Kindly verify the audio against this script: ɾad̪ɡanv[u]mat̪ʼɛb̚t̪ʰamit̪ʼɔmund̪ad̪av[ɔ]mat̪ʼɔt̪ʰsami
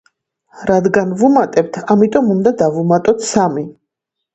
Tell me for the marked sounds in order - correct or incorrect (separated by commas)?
correct, incorrect